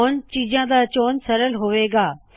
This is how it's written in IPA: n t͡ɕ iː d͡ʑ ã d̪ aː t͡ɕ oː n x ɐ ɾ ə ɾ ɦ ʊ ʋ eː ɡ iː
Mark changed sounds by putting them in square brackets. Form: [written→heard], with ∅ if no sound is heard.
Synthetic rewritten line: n t͡ɕ iː d͡ʑ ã d̪ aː t͡ɕ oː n [x→s] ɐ ɾ ə [ɾ→l] ɦ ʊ ʋ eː ɡ [iː→aː]